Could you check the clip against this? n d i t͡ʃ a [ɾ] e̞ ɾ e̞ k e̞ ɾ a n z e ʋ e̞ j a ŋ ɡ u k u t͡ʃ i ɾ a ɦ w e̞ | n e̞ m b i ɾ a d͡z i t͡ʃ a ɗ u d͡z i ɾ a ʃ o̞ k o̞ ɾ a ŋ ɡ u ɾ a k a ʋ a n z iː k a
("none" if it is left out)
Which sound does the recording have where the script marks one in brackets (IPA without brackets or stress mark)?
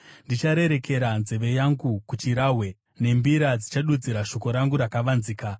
ɾ